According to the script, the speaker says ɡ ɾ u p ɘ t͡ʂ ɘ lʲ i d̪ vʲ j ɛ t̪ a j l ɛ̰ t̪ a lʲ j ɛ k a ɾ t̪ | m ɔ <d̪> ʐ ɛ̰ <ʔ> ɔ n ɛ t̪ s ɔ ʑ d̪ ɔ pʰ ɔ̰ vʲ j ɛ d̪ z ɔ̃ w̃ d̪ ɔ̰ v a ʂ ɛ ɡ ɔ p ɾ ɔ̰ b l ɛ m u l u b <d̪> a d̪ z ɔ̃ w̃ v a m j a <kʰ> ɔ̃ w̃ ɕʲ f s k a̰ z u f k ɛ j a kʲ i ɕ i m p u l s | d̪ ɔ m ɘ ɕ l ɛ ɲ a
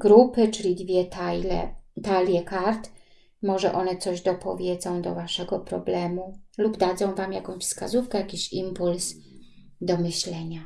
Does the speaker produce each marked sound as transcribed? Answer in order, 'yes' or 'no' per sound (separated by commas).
no, yes, yes, no